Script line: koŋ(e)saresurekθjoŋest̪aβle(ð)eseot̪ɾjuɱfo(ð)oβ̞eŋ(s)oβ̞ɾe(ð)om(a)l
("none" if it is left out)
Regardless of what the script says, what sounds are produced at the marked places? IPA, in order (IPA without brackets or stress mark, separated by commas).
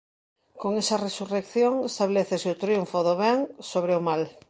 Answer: e, θ, ð, s, none, a